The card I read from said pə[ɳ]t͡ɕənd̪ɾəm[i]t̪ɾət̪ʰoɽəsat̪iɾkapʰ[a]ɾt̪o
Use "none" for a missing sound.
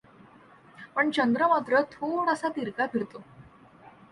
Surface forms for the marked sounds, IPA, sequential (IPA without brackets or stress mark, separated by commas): ɳ, a, i